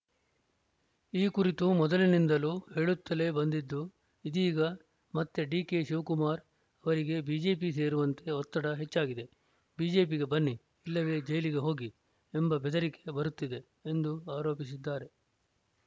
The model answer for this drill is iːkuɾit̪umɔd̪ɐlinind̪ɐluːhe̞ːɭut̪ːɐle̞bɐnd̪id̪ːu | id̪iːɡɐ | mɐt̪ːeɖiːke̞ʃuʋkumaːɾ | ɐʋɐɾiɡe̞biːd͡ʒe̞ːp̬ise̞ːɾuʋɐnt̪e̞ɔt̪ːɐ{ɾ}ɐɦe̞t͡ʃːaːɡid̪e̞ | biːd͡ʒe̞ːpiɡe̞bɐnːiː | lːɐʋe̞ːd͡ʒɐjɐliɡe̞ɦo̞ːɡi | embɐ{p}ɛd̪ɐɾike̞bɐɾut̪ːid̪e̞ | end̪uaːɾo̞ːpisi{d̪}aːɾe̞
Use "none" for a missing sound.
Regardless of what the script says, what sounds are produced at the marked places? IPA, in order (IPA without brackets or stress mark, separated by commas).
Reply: ɽ, b, d̪ː